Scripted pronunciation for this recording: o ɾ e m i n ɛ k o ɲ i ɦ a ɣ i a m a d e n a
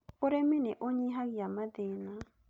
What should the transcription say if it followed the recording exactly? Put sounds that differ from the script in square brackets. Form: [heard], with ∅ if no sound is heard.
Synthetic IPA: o ɾ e m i n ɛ [ʔ] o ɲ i ɦ a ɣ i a m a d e n a